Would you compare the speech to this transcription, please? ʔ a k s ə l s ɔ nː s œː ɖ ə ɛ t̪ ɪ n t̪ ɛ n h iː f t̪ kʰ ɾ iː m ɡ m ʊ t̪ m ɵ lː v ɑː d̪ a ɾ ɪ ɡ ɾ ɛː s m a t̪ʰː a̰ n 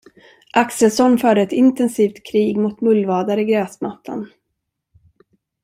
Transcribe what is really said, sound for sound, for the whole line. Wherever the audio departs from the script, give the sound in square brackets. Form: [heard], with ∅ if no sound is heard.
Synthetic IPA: ʔ a k s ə l s ɔ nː [f] œː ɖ ə ɛ t̪ ɪ n t̪ ɛ n [s] iː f t̪ kʰ ɾ iː [∅] ɡ m ʊ t̪ m ɵ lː v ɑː d̪ a ɾ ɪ ɡ ɾ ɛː s m a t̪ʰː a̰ n